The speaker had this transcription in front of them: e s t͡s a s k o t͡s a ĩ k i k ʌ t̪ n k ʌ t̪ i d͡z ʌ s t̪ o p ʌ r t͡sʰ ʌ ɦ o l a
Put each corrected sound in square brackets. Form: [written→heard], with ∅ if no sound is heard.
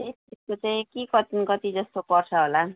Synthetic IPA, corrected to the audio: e s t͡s [a→i] s k o t͡s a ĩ k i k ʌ t̪ n k ʌ t̪ i d͡z ʌ s t̪ o p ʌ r t͡sʰ ʌ ɦ o l a